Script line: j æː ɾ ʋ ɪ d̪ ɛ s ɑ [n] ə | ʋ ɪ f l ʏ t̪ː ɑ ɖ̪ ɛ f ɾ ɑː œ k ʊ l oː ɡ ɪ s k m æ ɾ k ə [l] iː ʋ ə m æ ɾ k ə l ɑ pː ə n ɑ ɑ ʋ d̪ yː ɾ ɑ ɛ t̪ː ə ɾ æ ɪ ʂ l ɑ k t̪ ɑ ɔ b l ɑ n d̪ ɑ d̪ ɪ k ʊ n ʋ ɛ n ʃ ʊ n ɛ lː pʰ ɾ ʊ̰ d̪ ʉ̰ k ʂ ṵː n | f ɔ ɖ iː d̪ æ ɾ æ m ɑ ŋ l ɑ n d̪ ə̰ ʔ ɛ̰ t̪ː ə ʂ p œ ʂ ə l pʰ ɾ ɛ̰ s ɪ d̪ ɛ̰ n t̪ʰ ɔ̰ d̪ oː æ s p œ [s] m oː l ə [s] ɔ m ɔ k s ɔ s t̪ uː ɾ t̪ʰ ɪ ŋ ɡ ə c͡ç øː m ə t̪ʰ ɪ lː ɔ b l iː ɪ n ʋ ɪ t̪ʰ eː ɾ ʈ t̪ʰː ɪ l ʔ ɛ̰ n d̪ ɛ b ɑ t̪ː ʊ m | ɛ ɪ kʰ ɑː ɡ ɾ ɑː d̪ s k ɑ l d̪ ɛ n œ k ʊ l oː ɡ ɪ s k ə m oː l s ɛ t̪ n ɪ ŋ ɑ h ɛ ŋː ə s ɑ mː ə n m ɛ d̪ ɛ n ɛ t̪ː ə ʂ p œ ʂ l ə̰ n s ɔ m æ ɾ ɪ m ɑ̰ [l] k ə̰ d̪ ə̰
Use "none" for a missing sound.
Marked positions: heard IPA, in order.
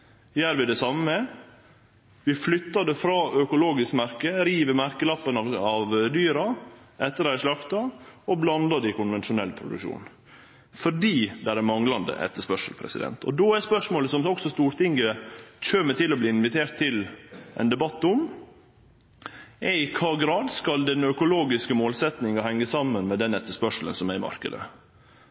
m, ɾ, ʂ, s, ɾ

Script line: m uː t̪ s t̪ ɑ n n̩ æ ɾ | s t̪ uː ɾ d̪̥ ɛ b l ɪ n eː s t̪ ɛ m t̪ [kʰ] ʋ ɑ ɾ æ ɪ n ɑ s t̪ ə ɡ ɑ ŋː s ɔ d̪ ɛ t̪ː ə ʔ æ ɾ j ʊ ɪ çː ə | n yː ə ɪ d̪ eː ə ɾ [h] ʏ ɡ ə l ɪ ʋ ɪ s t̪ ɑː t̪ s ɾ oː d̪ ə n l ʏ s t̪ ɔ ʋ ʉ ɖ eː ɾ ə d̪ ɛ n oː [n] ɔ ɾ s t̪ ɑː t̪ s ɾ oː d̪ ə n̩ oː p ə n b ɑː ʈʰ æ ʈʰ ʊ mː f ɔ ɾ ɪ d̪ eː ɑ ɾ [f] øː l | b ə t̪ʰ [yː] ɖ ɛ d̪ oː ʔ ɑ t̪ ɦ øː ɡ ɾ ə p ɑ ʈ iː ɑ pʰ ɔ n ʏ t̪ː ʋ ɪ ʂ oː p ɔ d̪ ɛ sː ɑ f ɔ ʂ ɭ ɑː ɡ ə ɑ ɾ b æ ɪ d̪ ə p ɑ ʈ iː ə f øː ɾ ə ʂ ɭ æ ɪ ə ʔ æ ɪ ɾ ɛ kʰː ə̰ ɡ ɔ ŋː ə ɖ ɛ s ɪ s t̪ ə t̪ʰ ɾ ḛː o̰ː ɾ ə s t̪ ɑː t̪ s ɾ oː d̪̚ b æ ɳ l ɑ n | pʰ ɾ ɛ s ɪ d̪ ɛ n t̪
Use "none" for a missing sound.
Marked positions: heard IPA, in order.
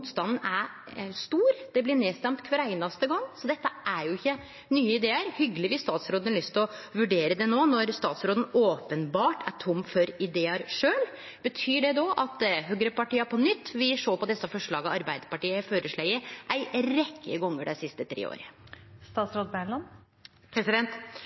kʰ, h, n, ʂ, yː

